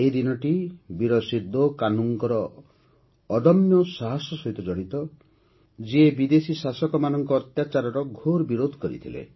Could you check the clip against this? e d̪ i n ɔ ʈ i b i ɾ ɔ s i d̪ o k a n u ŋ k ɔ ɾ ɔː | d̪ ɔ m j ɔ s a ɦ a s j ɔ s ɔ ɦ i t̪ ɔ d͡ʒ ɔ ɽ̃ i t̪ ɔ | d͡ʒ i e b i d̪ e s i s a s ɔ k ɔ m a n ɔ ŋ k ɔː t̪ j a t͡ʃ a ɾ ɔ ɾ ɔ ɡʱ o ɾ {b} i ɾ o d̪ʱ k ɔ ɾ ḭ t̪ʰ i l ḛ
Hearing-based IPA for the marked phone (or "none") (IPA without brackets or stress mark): b